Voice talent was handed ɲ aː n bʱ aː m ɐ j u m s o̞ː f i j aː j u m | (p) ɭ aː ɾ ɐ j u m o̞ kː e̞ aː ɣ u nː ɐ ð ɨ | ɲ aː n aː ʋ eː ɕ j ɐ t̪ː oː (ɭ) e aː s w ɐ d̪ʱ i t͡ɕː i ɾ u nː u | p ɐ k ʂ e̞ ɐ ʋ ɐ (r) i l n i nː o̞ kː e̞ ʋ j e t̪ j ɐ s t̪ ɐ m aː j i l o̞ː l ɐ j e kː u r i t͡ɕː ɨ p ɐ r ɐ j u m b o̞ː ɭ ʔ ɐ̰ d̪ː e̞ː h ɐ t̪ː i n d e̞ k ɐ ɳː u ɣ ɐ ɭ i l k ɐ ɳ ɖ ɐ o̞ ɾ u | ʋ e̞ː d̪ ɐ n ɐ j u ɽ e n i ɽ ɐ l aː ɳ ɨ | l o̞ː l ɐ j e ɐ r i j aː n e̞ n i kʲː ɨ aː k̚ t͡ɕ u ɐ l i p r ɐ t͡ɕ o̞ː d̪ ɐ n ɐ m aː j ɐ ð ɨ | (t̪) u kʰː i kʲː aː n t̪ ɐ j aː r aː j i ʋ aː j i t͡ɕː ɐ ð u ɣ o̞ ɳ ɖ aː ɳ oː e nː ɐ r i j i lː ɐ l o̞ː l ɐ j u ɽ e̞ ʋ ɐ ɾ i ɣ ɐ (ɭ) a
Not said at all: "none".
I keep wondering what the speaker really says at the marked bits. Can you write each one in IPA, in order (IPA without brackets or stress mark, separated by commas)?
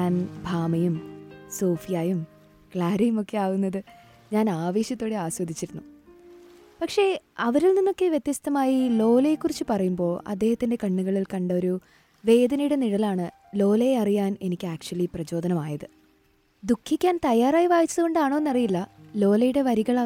k, ɽ, ɾ, d̪, ɭ